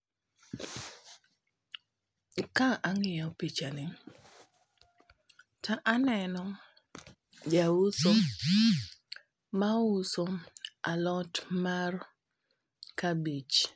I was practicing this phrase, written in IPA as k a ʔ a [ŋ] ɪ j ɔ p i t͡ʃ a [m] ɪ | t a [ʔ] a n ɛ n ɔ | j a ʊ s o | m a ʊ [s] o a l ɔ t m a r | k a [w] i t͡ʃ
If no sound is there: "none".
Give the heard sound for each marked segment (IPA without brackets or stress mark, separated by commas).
ŋ, n, ʔ, s, b